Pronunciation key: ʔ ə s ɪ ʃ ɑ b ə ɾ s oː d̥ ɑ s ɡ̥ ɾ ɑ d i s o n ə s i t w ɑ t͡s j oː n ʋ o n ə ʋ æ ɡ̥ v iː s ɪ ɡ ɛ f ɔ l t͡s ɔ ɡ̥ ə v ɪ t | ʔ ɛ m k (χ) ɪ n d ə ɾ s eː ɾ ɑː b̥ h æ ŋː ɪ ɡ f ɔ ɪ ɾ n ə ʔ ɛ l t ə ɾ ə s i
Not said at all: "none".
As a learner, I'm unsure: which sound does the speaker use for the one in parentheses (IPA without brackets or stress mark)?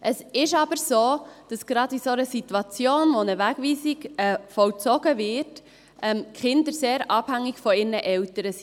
χ